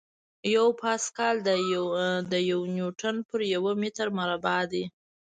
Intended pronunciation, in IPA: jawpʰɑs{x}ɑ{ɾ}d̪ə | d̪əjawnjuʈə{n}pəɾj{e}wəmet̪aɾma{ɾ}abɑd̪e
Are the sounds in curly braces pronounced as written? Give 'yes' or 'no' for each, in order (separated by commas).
no, no, yes, no, yes